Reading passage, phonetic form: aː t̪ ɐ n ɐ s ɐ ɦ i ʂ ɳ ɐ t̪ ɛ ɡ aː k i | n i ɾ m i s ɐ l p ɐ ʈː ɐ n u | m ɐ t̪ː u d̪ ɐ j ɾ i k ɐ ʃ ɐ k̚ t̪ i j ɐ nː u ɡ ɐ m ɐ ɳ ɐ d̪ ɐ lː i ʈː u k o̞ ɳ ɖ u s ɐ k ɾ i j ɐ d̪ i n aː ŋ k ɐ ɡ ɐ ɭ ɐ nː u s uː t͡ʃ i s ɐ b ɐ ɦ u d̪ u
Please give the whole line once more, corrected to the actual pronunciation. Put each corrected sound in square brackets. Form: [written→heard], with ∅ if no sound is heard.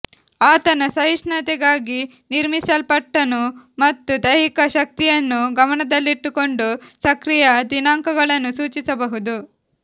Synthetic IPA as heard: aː t̪ ɐ n ɐ s ɐ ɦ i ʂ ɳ ɐ t̪ ɛ ɡ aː [k→ɡ] i | n i ɾ m i s ɐ l p ɐ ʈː ɐ n u | m ɐ t̪ː u d̪ ɐ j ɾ i k ɐ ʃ ɐ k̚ t̪ i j ɐ nː u ɡ ɐ m ɐ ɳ ɐ d̪ ɐ lː i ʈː u k o̞ ɳ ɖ u s ɐ k ɾ i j ɐ d̪ i n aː ŋ k ɐ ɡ ɐ ɭ ɐ nː u s uː t͡ʃ i s ɐ b ɐ ɦ u d̪ u